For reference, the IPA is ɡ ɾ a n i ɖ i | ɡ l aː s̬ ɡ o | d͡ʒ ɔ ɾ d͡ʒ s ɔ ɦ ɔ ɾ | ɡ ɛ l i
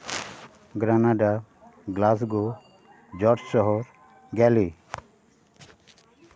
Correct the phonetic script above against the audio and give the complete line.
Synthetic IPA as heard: ɡ ɾ a n a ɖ a | ɡ l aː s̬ ɡ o | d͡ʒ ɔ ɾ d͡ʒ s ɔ ɦ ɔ ɾ | ɡ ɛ l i